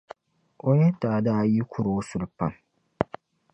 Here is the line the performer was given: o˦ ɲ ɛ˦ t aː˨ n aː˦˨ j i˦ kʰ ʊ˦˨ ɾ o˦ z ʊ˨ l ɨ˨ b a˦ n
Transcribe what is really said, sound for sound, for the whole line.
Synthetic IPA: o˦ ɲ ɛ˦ t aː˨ d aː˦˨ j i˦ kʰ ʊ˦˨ ɾ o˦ s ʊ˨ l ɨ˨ p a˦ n